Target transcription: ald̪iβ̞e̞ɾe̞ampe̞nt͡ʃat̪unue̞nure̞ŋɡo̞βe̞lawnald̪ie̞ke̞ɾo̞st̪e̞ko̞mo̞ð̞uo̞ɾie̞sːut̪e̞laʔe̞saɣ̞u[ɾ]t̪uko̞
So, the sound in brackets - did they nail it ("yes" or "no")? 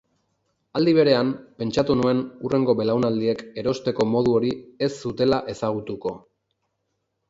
no